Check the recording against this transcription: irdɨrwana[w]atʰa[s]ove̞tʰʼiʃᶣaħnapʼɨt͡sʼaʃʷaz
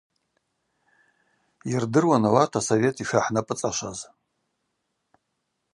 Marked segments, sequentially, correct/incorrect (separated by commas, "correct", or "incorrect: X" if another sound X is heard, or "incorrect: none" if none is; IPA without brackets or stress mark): correct, correct